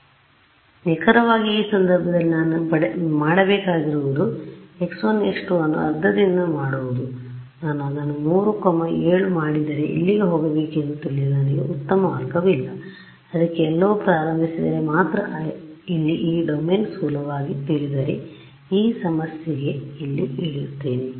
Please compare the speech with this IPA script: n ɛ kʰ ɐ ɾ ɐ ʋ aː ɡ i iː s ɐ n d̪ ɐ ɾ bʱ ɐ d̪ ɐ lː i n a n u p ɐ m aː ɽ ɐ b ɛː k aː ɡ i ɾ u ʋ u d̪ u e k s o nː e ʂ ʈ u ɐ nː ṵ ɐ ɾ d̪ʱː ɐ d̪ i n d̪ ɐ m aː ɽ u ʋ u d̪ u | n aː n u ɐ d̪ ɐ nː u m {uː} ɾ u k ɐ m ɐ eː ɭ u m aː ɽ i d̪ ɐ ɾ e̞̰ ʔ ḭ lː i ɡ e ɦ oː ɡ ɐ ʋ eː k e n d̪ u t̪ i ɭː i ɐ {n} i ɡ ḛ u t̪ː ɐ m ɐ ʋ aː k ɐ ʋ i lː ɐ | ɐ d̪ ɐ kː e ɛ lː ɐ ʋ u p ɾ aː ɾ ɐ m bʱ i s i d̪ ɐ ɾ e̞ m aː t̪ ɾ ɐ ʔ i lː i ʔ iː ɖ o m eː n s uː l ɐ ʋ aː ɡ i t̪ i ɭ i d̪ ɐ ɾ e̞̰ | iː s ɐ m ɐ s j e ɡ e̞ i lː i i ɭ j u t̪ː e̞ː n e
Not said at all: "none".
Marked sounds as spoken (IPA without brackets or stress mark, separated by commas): uː, n